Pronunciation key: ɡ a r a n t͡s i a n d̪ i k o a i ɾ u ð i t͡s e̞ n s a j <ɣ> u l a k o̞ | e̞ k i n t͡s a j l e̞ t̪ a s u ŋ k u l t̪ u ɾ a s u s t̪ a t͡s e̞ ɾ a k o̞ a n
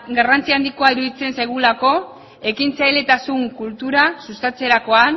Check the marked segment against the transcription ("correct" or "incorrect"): correct